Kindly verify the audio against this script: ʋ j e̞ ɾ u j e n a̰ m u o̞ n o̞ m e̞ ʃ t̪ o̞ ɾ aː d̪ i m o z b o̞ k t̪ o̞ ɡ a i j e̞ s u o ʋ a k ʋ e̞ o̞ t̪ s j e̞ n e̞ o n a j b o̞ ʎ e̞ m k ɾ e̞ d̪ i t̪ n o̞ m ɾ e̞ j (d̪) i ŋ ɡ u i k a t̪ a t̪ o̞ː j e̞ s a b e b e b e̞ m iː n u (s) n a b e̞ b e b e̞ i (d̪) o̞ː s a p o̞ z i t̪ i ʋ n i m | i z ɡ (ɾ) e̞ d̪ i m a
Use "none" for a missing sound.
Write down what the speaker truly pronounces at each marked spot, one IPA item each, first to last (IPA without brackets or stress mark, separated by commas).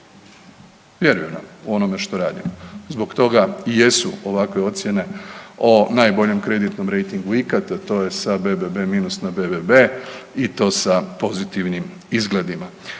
t̪, s, t̪, l